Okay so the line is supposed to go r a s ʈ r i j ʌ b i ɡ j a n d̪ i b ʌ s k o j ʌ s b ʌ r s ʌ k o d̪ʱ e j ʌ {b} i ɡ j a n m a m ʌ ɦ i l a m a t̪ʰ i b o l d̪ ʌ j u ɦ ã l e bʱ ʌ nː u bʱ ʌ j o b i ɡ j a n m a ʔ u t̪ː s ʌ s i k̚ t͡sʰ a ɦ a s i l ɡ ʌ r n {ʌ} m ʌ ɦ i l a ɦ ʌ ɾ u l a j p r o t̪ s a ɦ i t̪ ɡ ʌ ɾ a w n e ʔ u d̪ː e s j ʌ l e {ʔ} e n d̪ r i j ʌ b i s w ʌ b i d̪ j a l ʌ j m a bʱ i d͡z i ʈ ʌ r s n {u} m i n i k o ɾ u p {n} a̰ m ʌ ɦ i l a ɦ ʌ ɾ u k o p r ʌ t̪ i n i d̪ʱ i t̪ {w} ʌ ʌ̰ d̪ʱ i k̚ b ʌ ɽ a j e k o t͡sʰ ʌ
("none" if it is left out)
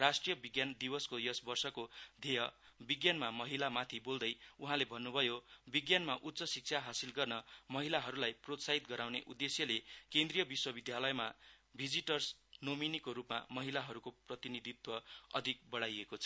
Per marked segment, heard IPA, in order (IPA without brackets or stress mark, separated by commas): b, ʌ, k, o, m, w